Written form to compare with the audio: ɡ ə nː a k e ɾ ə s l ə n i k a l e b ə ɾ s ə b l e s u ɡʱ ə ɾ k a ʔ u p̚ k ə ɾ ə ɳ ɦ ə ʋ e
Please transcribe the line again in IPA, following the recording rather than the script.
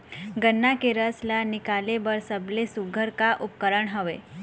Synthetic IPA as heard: ɡ ə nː a k e ɾ ə s l a n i k a l e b ə ɾ s ə b l e s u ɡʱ ə ɾ k a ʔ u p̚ k ə ɾ ə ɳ ɦ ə ʋ e